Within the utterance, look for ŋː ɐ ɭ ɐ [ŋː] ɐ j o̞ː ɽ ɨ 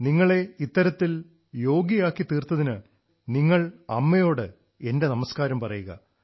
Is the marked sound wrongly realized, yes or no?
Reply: yes